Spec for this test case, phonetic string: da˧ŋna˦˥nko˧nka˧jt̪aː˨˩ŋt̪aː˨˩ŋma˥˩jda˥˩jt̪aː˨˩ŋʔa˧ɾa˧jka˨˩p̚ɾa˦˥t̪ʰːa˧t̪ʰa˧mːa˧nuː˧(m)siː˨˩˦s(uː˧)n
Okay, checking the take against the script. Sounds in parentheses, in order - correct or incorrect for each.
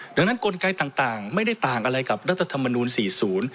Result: incorrect, incorrect

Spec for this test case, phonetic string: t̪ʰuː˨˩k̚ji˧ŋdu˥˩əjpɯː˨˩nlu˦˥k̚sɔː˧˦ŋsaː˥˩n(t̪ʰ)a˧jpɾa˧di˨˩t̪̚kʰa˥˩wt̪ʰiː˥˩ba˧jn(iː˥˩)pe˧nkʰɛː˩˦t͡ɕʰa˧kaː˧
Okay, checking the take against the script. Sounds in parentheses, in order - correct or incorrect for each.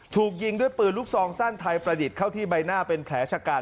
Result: correct, incorrect

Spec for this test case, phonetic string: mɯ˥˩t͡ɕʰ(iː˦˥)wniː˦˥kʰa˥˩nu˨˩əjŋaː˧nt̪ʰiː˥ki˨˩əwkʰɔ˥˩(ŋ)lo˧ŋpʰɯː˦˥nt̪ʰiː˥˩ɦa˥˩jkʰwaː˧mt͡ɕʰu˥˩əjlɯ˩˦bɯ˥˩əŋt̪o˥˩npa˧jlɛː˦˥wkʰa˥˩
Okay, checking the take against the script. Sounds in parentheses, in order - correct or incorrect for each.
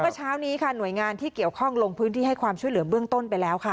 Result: incorrect, correct

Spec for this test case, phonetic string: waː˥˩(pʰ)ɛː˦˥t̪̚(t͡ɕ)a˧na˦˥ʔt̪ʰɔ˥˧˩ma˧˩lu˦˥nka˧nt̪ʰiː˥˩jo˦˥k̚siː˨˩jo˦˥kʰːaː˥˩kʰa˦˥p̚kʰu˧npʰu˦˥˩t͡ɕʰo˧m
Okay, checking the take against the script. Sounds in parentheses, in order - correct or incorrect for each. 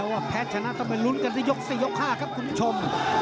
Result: correct, incorrect

